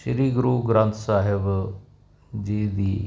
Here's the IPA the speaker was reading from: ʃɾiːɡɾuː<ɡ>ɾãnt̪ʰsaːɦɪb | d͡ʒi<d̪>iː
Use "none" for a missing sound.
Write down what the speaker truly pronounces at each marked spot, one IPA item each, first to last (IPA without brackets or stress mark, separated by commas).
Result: ɡ, d̪